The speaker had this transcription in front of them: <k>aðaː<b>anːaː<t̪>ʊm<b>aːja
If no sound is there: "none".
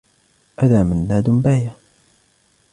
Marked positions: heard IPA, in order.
ʔ, m, d̪, b

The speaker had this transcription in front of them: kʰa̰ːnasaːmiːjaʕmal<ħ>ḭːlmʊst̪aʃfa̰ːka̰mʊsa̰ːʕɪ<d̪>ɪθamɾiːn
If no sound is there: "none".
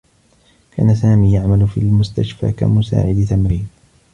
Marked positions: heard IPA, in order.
f, d̪

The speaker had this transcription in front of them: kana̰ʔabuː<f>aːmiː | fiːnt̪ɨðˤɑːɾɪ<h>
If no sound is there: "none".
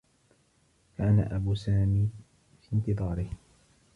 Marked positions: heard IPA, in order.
s, h

